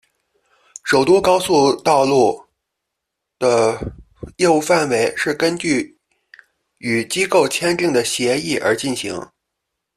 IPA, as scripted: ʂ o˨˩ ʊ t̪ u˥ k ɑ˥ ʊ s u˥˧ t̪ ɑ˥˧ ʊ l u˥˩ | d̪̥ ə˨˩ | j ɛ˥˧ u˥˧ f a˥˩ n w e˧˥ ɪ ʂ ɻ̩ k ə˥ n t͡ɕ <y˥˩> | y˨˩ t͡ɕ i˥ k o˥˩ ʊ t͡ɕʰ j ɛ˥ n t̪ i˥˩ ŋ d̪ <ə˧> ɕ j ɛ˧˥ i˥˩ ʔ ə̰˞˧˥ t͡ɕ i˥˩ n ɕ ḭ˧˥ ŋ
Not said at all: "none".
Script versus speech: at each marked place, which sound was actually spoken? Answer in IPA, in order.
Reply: y˥˩, ə˩

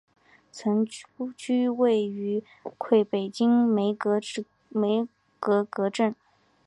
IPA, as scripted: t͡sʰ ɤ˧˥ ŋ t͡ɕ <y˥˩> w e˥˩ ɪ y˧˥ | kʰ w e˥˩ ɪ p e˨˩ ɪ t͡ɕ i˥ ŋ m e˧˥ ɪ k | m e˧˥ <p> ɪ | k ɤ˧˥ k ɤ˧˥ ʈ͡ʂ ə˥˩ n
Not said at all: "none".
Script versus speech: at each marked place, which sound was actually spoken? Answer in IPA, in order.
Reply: y˥, none

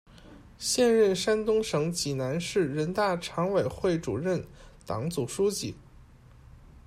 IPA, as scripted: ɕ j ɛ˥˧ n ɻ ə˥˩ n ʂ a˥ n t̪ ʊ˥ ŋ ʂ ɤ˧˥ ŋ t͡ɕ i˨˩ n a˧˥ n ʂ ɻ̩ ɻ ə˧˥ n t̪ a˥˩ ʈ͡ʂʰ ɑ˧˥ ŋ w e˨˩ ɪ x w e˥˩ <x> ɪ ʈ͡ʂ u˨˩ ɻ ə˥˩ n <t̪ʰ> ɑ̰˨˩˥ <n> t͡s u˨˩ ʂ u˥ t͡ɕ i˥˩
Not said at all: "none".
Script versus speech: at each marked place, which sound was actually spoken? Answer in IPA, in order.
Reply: none, t̪, ŋ

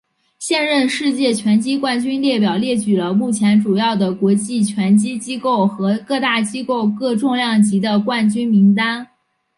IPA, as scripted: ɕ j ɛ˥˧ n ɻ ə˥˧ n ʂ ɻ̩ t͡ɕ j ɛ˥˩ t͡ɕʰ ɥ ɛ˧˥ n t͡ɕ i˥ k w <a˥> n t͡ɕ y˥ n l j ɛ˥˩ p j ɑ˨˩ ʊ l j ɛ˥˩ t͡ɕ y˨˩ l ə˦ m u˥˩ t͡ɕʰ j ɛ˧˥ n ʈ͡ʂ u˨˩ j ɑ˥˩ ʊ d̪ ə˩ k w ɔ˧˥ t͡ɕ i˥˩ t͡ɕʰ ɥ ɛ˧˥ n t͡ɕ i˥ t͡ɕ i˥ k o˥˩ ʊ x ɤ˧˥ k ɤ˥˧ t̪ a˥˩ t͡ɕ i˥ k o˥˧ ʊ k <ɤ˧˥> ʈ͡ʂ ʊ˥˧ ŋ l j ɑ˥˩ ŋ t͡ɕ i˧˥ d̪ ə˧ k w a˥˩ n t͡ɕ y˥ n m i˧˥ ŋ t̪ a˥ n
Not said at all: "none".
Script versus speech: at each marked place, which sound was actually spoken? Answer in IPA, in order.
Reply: a˥˩, ɤ˥˧

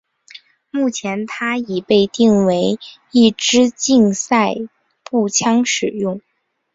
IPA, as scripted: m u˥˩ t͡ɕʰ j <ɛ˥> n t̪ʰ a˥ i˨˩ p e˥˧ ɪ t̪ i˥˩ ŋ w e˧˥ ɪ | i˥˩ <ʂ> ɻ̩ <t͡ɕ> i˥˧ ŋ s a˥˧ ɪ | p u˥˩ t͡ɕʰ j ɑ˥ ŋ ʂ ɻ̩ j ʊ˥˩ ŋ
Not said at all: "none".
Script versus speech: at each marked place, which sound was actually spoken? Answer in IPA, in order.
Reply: ɛ˧˥, ʈ͡ʂ, t͡ɕ

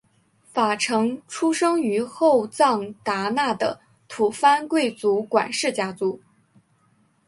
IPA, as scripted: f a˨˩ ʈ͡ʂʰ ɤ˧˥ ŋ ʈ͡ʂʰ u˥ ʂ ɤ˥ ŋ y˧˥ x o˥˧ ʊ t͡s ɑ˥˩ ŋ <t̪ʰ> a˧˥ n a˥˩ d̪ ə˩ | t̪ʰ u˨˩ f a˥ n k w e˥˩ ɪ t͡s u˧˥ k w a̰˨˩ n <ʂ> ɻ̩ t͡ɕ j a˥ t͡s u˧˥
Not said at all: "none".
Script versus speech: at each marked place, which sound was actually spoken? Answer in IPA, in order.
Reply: t̪, ʂ

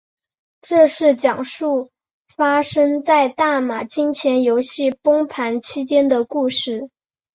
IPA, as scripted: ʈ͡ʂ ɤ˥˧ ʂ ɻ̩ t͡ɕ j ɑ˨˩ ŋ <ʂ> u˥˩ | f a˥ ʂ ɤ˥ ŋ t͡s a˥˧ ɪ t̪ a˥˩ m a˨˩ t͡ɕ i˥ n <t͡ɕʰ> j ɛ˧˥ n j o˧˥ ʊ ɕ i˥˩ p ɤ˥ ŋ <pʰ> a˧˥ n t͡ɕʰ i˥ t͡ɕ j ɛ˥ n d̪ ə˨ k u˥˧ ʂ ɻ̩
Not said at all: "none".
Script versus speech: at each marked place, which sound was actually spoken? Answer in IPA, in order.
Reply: ʂ, t͡ɕʰ, pʰ

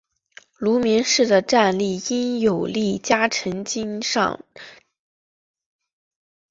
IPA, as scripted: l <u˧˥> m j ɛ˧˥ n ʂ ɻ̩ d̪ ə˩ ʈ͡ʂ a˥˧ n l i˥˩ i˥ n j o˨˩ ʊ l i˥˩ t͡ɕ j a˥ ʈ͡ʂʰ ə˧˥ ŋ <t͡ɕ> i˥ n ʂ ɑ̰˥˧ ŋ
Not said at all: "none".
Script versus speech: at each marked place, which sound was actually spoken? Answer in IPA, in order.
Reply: u˧˥, t͡ɕ

